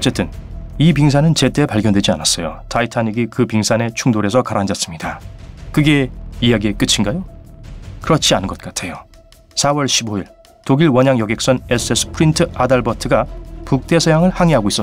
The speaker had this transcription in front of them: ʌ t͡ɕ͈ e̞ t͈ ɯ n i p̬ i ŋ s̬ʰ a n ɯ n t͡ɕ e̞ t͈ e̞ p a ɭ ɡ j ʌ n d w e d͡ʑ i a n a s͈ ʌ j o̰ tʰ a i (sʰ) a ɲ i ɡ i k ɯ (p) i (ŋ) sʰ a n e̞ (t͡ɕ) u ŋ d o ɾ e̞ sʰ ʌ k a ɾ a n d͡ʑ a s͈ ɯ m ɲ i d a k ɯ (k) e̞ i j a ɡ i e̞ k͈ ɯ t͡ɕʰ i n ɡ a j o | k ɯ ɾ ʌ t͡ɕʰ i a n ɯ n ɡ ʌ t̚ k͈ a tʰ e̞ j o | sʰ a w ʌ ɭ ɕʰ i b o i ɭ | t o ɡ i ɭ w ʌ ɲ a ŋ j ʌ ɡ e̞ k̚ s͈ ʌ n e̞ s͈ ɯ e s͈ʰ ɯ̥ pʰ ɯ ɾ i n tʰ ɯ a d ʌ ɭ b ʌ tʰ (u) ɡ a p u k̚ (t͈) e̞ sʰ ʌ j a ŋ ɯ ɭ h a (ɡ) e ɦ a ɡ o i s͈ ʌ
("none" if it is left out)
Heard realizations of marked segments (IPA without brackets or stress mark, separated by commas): tʰ, p, ŋ, t͡ɕʰ, ɡ, ɯ, t͈, ŋ